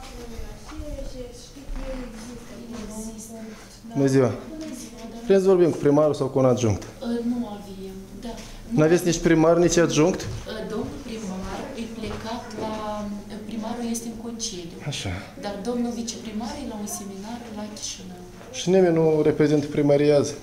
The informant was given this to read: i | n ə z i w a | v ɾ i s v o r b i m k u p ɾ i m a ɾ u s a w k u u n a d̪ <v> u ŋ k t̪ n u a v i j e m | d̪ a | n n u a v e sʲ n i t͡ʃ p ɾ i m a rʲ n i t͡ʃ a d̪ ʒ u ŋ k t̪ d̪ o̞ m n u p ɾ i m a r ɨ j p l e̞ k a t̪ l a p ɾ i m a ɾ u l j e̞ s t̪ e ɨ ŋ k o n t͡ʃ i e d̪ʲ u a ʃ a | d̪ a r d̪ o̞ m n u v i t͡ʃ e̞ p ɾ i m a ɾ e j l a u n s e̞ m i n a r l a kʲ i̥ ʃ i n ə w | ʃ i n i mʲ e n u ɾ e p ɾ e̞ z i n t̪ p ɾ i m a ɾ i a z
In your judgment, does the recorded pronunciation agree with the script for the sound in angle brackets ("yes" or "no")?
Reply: no